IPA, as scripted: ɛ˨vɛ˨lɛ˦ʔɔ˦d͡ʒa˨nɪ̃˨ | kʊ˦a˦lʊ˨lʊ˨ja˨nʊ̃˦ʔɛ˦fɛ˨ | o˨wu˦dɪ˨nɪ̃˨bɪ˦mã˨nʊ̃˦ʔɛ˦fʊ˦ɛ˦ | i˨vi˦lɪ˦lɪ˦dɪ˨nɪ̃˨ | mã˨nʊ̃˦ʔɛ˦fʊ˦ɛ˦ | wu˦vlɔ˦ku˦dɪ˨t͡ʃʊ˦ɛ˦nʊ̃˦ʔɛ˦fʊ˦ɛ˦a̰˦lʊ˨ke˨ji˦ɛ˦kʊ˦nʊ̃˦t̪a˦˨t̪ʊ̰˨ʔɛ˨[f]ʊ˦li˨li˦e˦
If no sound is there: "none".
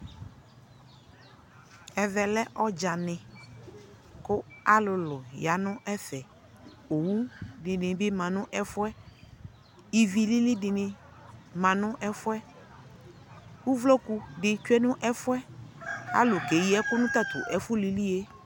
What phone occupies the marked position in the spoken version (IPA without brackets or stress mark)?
f